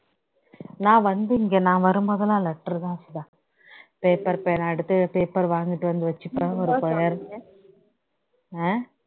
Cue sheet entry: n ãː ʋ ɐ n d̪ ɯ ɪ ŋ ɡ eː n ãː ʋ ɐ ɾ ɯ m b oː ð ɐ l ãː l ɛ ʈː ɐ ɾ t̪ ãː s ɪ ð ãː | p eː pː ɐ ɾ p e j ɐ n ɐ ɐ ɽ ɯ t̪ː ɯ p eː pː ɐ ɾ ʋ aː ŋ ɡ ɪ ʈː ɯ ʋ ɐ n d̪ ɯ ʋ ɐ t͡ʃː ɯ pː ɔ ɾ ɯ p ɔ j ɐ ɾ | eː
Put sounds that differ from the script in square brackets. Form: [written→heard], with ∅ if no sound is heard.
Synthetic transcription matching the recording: n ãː ʋ ɐ n d̪ ɯ ɪ ŋ ɡ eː n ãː ʋ ɐ ɾ ɯ m b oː ð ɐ l ãː l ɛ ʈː ɐ ɾ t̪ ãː s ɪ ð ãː | p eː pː ɐ ɾ p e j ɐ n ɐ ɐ ɽ ɯ t̪ː ɯ p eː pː ɐ ɾ ʋ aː ŋ ɡ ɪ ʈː ɯ ʋ ɐ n d̪ ɯ ʋ ɐ t͡ʃː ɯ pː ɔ ɾ ɯ p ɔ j ɐ ɾ | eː